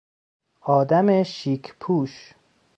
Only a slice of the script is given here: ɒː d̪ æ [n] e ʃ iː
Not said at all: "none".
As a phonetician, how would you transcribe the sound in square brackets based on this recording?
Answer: m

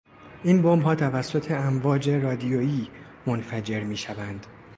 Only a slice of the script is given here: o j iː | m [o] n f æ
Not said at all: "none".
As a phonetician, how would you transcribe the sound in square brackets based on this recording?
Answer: o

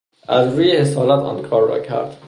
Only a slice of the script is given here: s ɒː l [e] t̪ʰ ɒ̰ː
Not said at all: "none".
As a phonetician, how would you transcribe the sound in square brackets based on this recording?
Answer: æ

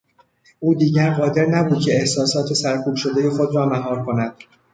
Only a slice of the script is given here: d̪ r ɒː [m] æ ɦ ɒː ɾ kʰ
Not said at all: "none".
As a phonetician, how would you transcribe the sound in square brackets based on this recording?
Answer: m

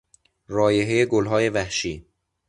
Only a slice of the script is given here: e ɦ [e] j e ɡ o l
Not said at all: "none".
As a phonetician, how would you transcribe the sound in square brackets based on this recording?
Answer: e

